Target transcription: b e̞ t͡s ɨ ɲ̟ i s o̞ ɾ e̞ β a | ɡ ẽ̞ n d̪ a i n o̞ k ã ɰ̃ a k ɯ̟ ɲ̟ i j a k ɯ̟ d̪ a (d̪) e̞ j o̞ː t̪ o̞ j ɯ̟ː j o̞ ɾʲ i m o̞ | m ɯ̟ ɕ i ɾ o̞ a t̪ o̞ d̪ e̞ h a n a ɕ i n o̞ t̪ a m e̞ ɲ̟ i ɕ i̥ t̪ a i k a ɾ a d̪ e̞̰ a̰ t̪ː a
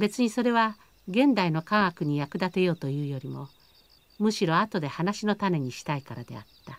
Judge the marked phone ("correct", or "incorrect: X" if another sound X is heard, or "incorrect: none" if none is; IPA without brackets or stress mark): incorrect: t̪